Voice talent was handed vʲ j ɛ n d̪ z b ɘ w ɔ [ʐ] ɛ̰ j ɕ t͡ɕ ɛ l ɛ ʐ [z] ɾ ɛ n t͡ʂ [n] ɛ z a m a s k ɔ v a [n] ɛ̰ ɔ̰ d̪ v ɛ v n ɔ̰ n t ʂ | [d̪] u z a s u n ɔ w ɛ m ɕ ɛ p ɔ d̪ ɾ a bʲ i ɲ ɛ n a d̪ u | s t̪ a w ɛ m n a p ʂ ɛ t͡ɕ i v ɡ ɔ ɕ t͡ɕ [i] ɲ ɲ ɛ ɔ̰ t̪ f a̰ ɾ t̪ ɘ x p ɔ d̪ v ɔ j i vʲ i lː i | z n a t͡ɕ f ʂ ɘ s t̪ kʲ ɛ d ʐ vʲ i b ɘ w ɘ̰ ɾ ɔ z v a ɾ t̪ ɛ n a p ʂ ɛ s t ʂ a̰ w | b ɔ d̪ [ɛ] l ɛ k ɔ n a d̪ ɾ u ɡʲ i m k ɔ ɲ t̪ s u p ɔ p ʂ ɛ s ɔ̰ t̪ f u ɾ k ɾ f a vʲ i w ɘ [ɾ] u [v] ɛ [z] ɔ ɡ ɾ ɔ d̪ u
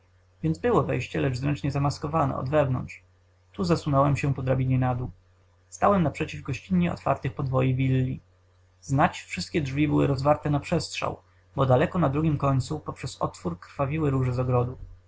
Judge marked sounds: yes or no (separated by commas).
no, yes, no, yes, no, yes, no, yes, no, yes